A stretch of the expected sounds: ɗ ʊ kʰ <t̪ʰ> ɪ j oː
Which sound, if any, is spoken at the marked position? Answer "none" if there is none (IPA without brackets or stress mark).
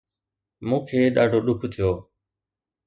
t̪ʰ